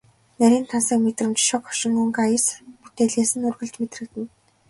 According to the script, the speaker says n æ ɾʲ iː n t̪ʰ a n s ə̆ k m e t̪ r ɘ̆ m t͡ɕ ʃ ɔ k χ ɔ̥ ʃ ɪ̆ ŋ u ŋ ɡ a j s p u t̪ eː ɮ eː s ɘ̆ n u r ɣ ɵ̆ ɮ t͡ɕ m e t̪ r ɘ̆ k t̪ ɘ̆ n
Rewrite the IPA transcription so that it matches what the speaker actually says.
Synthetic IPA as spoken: n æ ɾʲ iː n t̪ʰ a n s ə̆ k m e t̪ r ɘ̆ m t͡ɕ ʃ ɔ k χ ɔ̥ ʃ ɪ̆ ŋ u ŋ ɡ a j s p u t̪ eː ɮ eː s ɘ̆ n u r ɣ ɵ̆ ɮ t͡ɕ m e t̪ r ɘ̆ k t̪ ɘ̆ n